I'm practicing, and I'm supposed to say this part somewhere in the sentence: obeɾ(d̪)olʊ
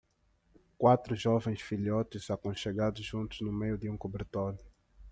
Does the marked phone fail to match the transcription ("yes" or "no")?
yes